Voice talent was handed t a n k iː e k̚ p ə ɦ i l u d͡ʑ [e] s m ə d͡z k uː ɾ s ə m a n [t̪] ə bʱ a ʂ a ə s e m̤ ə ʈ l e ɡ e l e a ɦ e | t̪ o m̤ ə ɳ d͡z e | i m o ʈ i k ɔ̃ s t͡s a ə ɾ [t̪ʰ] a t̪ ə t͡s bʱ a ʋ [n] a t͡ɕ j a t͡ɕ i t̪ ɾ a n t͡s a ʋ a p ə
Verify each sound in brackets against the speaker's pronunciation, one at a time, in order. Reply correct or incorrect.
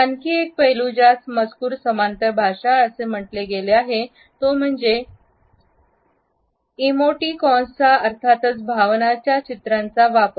incorrect, correct, correct, correct

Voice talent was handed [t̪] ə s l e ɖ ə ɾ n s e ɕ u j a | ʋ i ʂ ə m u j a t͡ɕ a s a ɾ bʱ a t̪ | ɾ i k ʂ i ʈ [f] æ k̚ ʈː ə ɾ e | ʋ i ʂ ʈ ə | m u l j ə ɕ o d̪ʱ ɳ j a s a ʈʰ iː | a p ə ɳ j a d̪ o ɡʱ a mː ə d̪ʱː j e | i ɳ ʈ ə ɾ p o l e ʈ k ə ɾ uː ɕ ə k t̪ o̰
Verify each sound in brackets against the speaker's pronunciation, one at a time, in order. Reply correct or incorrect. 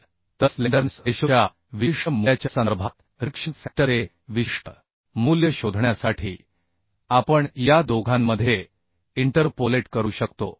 correct, correct

